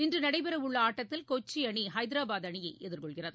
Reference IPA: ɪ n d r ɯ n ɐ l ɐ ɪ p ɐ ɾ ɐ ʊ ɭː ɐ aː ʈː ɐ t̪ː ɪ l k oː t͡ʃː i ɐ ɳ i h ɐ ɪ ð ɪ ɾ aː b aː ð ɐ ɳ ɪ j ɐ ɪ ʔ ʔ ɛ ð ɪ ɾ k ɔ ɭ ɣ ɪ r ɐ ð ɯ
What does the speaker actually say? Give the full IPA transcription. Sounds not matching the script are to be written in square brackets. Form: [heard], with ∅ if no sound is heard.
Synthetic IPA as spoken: ɪ n d r ɯ n ɐ [ɽ] ɐ ɪ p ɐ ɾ ɐ ʊ ɭː ɐ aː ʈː ɐ t̪ː ɪ l k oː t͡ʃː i ɐ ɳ i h ɐ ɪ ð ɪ ɾ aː b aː ð ɐ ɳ ɪ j ɐ ɪ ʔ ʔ ɛ ð ɪ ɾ k ɔ ɭ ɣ ɪ r ɐ ð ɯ

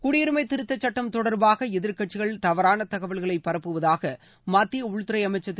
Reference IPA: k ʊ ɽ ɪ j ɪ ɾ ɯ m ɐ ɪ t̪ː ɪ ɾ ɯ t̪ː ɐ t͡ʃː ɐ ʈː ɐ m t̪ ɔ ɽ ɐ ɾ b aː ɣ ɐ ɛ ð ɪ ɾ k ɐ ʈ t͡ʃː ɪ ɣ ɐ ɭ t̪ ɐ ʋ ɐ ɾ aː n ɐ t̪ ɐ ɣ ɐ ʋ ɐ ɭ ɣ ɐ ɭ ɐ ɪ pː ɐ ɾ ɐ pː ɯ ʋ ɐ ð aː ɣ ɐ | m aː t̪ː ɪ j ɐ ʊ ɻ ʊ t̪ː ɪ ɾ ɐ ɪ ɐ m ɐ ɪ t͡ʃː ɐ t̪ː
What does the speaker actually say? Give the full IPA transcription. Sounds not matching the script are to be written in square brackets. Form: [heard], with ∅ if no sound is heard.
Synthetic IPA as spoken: k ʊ ɽ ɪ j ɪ ɾ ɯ m ɐ ɪ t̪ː ɪ ɾ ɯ t̪ː ɐ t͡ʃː ɐ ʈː ɐ m t̪ ɔ ɽ ɐ ɾ b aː ɣ ɐ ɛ ð ɪ ɾ k ɐ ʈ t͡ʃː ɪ ɣ ɐ ɭ t̪ ɐ ʋ ɐ ɾ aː n ɐ t̪ ɐ ɣ ɐ ʋ ɐ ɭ ɣ ɐ ɭ ɐ ɪ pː ɐ ɾ ɐ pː ɯ ʋ ɐ ð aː ɣ ɐ | m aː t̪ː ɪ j ɐ ʊ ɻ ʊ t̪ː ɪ ɾ ɐ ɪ ɐ m ɐ ɪ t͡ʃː ɐ t̪ː

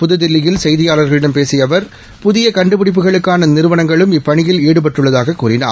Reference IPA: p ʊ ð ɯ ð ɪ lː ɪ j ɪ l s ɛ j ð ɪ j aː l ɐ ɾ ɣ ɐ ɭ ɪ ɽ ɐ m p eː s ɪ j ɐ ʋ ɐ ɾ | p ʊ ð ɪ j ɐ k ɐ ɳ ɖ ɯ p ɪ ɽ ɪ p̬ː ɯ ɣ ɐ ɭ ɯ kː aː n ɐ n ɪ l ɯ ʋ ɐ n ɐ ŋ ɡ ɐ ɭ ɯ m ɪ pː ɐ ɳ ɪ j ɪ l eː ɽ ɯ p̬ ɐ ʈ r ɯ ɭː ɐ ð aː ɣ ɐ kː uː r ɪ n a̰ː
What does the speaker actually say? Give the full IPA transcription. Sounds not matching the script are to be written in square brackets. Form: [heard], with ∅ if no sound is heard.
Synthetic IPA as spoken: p ʊ ð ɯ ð ɪ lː ɪ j ɪ l s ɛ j ð ɪ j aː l ɐ ɾ ɣ ɐ ɭ ɪ ɽ ɐ m p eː s ɪ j ɐ ʋ ɐ ɾ | p ʊ ð ɪ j ɐ k ɐ ɳ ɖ ɯ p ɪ ɽ ɪ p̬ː ɯ ɣ ɐ ɭ ɯ kː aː n ɐ n ɪ [ɾ] ɯ ʋ ɐ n ɐ ŋ ɡ ɐ ɭ ɯ m ɪ pː ɐ ɳ ɪ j ɪ l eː ɽ ɯ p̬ ɐ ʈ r ɯ ɭː ɐ ð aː ɣ ɐ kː uː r ɪ n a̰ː

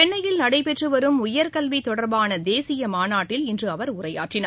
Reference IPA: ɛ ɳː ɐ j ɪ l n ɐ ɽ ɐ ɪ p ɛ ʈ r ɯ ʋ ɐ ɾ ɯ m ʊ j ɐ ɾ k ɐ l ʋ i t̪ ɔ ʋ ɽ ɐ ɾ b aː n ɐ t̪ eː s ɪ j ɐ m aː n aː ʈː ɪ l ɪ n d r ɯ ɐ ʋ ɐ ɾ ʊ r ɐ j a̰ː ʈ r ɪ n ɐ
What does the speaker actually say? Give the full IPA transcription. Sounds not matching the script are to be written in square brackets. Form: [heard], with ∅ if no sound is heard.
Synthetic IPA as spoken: ɛ ɳː ɐ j ɪ l n ɐ ɽ ɐ ɪ p ɛ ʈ r ɯ ʋ ɐ ɾ ɯ m ʊ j ɐ ɾ k ɐ l ʋ i t̪ ɔ [∅] ɽ ɐ ɾ b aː n ɐ [d̪] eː s ɪ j ɐ m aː n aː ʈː ɪ l ɪ n d r ɯ ɐ ʋ ɐ ɾ ʊ r ɐ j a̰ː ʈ r ɪ n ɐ

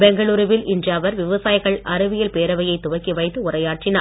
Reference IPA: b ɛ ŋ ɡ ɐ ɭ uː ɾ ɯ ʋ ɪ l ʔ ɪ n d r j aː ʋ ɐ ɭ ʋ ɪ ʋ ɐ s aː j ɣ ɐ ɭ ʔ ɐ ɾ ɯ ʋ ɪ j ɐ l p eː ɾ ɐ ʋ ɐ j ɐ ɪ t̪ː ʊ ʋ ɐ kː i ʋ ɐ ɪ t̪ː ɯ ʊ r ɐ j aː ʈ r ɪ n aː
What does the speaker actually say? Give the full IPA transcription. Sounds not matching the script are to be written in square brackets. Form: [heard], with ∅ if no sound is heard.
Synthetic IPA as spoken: b ɛ ŋ ɡ ɐ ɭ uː ɾ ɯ ʋ ɪ l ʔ ɪ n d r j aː ʋ ɐ [ɾ] ʋ ɪ ʋ ɐ s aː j ɣ ɐ ɭ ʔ ɐ ɾ ɯ ʋ ɪ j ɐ l p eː ɾ ɐ ʋ ɐ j ɐ ɪ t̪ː ʊ ʋ ɐ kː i ʋ ɐ ɪ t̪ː ɯ ʊ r ɐ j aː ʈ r ɪ n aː

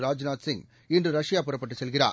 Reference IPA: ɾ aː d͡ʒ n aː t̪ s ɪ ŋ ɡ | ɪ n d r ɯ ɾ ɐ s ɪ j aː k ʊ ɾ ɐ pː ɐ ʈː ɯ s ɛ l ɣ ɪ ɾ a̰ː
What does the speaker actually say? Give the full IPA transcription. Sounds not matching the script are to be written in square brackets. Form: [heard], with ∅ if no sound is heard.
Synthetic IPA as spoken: ɾ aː d͡ʒ n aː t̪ s ɪ ŋ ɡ | ɪ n d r ɯ ɾ ɐ [ʂ] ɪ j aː [p] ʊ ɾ ɐ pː ɐ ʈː ɯ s ɛ l ɣ ɪ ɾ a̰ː

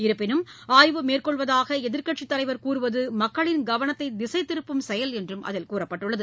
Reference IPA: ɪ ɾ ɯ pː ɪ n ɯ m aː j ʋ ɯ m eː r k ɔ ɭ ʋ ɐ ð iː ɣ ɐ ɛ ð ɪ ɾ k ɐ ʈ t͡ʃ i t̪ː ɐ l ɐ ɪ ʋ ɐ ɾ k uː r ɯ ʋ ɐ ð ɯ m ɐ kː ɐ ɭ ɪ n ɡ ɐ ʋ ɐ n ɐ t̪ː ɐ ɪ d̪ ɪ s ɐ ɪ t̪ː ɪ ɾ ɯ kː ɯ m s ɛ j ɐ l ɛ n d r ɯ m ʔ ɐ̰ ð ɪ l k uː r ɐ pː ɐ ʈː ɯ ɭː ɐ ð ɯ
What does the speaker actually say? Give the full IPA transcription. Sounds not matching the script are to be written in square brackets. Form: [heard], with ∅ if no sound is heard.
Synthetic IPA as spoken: ɪ ɾ ɯ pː ɪ n ɯ m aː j ʋ ɯ m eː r k ɔ ɭ ʋ ɐ ð [aː] ɣ ɐ ɛ ð ɪ ɾ k ɐ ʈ t͡ʃ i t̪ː ɐ l ɐ ɪ ʋ ɐ ɾ k uː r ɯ ʋ ɐ ð ɯ m ɐ kː ɐ ɭ ɪ n ɡ ɐ ʋ ɐ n ɐ t̪ː ɐ ɪ d̪ ɪ s ɐ ɪ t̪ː ɪ ɾ ɯ [pː] ɯ m s ɛ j ɐ l ɛ n d r ɯ m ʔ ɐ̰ ð ɪ l k uː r ɐ pː ɐ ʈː ɯ ɭː ɐ ð ɯ

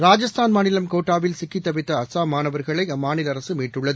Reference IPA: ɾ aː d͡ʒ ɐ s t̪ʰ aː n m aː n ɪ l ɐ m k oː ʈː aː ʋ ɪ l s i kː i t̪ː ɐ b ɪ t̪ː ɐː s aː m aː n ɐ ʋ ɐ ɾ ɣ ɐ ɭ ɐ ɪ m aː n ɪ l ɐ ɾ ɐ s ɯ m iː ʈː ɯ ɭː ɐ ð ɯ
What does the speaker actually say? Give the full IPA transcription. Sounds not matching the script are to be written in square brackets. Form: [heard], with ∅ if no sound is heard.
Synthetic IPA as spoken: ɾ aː d͡ʒ ɐ s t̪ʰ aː n m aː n ɪ l ɐ m k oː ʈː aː ʋ ɪ l s [ɪ] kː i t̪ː ɐ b ɪ t̪ː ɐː s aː m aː n ɐ ʋ ɐ ɾ ɣ ɐ ɭ ɐ ɪ m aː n ɪ l ɐ ɾ ɐ s ɯ m iː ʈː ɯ ɭː ɐ ð ɯ

